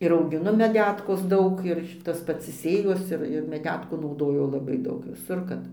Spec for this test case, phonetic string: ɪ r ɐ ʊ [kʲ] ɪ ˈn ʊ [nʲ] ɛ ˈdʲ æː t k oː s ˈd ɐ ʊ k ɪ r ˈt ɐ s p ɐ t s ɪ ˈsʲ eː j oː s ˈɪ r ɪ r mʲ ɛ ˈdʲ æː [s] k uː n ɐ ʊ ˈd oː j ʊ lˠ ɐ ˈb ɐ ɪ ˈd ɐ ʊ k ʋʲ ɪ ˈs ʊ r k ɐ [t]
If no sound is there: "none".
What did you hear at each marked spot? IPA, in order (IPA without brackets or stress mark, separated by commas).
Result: ɡʲ, mʲ, t, t